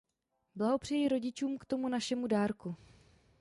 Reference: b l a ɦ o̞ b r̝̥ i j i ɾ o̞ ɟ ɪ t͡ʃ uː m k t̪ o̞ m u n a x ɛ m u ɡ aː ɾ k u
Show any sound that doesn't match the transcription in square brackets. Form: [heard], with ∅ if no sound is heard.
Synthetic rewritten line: b l a ɦ o̞ [p] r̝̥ [ɛ] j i ɾ o̞ ɟ ɪ t͡ʃ uː m k t̪ o̞ m u n a [ʃ] ɛ m u [d] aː ɾ k u